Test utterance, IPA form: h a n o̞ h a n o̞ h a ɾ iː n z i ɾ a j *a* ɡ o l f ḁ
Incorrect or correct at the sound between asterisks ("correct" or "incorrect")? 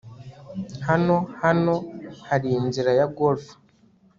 correct